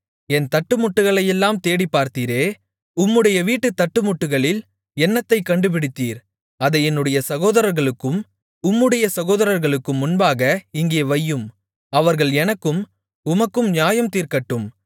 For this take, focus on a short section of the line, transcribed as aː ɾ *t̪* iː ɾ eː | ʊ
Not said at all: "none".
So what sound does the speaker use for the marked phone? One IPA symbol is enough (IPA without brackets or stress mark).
t̪